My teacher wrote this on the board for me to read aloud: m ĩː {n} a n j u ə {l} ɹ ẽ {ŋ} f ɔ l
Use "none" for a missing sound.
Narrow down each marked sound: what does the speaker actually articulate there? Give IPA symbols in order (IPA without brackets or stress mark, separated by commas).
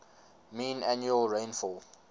n, l, n